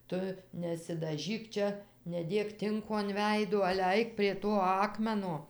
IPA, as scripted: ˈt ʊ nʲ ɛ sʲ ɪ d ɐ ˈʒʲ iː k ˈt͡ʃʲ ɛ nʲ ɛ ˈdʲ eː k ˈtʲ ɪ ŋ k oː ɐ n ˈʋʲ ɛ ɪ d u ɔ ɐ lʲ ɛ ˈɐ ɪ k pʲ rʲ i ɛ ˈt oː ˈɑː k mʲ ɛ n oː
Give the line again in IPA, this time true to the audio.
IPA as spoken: ˈt ʊ nʲ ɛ sʲ ɪ d ɐ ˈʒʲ iː k ˈt͡ʃʲ ɛ nʲ ɛ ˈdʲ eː k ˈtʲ ɪ ŋ k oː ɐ n ˈʋʲ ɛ ɪ d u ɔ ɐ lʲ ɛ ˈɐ ɪ k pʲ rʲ i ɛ ˈt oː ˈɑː k mʲ ɛ n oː

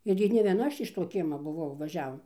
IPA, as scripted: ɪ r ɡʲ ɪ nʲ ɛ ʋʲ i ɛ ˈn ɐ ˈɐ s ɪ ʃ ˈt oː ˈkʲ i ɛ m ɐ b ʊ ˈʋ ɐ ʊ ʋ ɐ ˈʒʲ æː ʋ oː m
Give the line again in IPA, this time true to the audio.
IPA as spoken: ɪ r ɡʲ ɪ nʲ ɛ ʋʲ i ɛ ˈn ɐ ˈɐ ʃ ɪ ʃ ˈt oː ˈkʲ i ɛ m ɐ b ʊ ˈʋ ɐ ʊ ʋ ɐ ˈʒʲ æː ʋ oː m

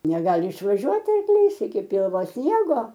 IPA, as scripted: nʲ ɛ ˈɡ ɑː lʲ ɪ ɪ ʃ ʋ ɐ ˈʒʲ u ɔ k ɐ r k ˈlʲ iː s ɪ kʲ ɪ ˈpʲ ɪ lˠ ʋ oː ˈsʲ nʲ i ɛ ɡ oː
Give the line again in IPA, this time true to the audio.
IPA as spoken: nʲ ɛ ˈɡ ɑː lʲ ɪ ɪ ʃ ʋ ɐ ˈʒʲ u ɔ t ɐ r k ˈlʲ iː s ɪ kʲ ɪ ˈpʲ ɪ lˠ ʋ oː ˈsʲ nʲ i ɛ ɡ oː

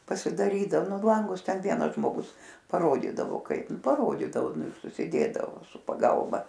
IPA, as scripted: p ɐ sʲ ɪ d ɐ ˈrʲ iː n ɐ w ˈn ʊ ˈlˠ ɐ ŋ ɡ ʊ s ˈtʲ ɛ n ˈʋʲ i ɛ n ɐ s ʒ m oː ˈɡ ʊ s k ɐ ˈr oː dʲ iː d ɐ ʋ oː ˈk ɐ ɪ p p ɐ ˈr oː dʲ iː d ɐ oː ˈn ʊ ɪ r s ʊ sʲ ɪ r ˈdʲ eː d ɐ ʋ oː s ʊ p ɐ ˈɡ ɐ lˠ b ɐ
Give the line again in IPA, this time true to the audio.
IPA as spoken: p ɐ sʲ ɪ d ɐ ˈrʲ iː d ɐ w ˈn ʊ ˈlˠ ɐ ŋ ɡ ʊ s ˈtʲ ɛ n ˈʋʲ i ɛ n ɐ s ʒ m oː ˈɡ ʊ s p ɐ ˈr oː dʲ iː d ɐ ʋ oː ˈk ɐ ɪ p p ɐ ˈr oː dʲ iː d ɐ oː ˈn ʊ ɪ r s ʊ sʲ ɪ ˈdʲ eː d ɐ ʋ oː s ʊ p ɐ ˈɡ ɐ lˠ b ɐ

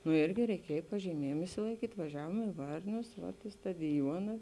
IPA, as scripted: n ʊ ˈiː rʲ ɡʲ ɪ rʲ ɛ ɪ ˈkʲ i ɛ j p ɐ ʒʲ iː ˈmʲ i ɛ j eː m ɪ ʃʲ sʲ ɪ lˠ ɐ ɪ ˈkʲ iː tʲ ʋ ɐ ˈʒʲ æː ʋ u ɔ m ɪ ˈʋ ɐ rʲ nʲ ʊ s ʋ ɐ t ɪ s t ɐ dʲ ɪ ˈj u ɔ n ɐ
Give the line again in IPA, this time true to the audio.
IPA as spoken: n ʊ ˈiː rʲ ɡʲ ɪ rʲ ɛ ɪ ˈkʲ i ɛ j p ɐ ʒʲ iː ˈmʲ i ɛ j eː m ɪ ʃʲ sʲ ɪ lˠ ɐ ɪ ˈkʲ iː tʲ ʋ ɐ ˈʒʲ æː ʋ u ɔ m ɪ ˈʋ ɐ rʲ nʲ ʊ s ʋ ɐ t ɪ s t ɐ dʲ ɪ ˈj u ɔ n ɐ

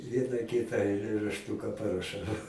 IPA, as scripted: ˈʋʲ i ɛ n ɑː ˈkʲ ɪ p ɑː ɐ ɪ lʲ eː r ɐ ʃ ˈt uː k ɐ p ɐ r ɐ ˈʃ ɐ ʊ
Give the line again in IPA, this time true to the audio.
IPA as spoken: ˈʋʲ i ɛ n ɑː ˈkʲ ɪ t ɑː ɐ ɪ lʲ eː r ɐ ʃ ˈt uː k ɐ p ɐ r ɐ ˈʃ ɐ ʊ

